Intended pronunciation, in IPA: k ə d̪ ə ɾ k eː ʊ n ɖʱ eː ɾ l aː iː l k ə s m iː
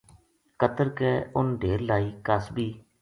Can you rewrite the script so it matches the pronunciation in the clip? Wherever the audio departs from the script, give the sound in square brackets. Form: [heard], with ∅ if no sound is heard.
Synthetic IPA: k ə [t̪] ə ɾ k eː ʊ n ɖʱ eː ɾ l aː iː [∅] k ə s [b] iː